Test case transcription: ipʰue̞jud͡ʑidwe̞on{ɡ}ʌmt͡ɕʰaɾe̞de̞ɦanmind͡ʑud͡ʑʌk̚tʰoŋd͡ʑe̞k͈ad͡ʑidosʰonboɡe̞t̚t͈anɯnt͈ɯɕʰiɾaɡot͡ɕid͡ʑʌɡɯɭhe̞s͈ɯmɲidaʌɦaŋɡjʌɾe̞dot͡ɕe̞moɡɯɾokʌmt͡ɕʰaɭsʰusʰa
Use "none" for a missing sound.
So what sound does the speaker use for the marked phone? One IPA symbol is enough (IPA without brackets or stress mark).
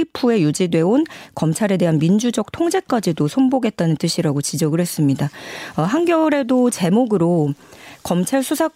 k